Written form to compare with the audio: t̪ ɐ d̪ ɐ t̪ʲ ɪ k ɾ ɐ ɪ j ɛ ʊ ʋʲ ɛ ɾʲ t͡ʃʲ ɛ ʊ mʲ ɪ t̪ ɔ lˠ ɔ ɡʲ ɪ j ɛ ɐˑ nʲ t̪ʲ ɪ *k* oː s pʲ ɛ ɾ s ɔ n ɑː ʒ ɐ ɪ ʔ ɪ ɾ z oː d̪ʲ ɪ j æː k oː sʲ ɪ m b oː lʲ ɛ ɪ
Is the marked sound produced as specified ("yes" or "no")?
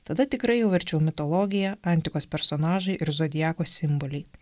yes